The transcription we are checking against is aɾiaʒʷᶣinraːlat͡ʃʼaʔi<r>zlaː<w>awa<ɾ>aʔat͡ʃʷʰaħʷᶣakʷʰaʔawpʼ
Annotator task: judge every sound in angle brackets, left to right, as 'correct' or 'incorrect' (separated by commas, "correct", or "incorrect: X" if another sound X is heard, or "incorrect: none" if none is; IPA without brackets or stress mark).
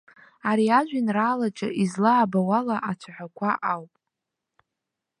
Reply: incorrect: none, incorrect: b, incorrect: l